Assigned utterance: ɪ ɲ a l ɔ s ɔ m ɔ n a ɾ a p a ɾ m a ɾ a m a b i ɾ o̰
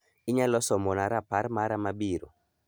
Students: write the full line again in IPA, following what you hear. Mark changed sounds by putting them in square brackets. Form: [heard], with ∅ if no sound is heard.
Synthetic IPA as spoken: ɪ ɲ a l ɔ s ɔ m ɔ n a ɾ a p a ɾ m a ɾ a m a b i ɾ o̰